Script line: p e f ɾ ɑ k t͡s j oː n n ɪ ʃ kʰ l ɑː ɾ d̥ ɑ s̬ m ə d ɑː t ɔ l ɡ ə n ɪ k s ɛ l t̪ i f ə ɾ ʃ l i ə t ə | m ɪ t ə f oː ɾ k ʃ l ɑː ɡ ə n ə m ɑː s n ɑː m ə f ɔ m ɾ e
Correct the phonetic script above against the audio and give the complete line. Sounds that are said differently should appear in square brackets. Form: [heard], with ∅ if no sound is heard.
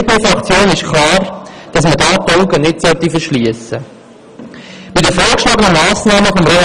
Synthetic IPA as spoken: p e f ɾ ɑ k t͡s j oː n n ɪ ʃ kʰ l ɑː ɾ d̥ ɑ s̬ m ə d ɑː t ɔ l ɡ ə n ɪ [t] s [œ] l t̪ i f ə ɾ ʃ l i ə [s] ə | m ɪ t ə f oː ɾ k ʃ l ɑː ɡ ə n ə m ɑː s n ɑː m ə f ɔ m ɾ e